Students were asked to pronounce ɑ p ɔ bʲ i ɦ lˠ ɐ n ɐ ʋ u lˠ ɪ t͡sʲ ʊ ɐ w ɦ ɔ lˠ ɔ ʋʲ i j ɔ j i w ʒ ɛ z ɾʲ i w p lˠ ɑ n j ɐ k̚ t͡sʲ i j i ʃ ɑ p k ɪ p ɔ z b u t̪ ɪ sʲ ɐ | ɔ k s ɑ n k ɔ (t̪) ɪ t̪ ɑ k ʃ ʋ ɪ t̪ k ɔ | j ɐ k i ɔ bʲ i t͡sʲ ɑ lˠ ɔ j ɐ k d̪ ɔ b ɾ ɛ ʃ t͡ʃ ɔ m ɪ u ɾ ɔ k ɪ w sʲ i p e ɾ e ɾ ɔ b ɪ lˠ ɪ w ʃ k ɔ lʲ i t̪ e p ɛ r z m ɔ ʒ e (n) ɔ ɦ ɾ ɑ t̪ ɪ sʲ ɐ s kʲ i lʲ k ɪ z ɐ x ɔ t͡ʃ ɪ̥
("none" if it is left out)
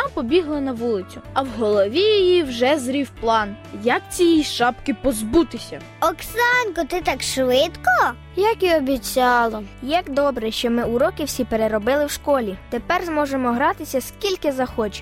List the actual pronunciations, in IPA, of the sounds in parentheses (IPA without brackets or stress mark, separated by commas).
t̪, m